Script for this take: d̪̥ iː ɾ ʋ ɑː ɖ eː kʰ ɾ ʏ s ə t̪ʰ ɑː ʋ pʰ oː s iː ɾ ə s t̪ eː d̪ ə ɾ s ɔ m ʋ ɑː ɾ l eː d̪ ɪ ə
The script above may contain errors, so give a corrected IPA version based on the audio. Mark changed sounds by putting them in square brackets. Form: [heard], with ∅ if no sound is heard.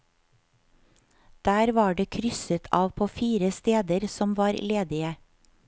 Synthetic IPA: d̪̥ [æː] ɾ ʋ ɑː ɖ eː kʰ ɾ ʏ s ə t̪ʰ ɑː ʋ pʰ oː [f] iː ɾ ə s t̪ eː d̪ ə ɾ s ɔ m ʋ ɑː ɾ l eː d̪ ɪ ə